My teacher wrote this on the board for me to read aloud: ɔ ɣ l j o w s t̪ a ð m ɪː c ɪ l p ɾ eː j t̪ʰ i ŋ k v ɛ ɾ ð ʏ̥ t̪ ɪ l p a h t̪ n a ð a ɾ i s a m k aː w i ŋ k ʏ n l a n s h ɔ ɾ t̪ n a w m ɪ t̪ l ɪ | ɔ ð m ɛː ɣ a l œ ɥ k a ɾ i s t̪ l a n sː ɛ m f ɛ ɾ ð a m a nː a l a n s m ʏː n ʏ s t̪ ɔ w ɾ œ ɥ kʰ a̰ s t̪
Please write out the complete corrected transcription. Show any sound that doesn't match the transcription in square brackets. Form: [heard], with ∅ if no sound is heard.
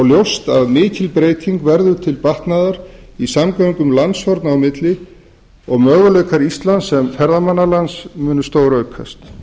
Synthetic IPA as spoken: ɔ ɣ l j o w s t̪ a ð m ɪː c ɪ l p ɾ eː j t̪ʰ i ŋ k v ɛ ɾ ð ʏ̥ [t̪ʰ] ɪ l p a h t̪ n a ð a ɾ i s a m k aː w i ŋ k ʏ [m] l a n s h ɔ ɾ t̪ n a w m ɪ t̪ l ɪ | ɔ [ɣ] m [œː] ɣ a l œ ɥ k a ɾ i s t̪ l a n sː ɛ m f ɛ ɾ ð a m a nː a l a n s m ʏː n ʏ s t̪ [o] w ɾ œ ɥ kʰ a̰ s t̪